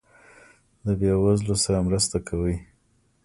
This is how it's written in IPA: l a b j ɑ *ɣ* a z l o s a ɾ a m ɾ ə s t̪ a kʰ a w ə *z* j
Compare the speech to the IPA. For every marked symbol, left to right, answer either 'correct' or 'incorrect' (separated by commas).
incorrect, incorrect